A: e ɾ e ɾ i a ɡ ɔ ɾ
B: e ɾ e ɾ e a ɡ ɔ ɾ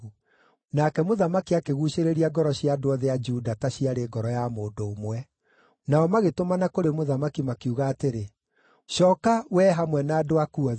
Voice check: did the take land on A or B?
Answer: A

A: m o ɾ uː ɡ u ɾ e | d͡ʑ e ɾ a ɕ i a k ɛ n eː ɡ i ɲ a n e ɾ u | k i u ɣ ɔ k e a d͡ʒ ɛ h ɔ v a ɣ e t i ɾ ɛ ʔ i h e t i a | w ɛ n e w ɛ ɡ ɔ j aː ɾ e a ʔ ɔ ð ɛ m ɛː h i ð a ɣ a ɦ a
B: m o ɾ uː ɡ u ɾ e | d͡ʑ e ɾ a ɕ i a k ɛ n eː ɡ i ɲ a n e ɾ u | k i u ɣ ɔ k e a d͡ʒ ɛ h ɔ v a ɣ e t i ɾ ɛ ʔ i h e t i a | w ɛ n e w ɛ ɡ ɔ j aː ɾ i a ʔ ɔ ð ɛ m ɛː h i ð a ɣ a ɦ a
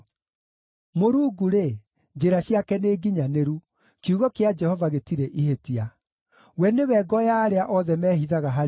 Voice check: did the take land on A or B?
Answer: A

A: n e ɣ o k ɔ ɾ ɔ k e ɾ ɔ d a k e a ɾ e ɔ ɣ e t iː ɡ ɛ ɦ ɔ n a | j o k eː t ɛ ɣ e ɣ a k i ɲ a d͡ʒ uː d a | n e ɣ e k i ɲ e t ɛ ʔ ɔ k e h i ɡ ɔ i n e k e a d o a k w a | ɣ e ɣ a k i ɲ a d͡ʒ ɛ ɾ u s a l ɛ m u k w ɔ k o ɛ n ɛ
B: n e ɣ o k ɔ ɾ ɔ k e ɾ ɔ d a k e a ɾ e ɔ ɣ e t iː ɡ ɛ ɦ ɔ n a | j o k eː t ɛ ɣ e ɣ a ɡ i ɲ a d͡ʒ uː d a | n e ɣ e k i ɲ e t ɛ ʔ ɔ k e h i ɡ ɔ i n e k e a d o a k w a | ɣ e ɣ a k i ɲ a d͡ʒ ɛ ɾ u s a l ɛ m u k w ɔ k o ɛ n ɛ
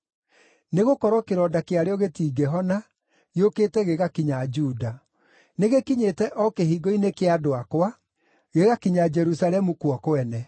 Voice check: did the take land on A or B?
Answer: A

